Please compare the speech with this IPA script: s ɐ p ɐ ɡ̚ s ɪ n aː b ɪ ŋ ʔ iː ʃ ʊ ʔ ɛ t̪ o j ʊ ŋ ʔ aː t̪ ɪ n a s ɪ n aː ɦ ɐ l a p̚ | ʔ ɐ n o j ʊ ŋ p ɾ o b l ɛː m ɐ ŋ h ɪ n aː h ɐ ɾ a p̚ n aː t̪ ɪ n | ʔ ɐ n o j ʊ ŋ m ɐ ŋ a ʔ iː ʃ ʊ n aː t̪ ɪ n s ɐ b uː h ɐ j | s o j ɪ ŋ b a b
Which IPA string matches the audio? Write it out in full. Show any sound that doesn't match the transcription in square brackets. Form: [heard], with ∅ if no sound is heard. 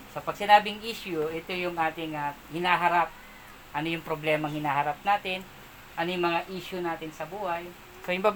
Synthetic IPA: s ɐ p ɐ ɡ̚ s ɪ n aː b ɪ ŋ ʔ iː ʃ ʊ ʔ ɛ t̪ o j ʊ ŋ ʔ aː t̪ ɪ [ŋ] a [h] ɪ n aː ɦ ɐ [ɾ] a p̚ | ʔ ɐ n o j ʊ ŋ p ɾ o b l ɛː m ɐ ŋ h ɪ n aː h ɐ ɾ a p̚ n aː t̪ ɪ n | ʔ ɐ n o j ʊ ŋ m ɐ ŋ a ʔ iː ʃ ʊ n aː t̪ ɪ n s ɐ b uː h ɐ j | s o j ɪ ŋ b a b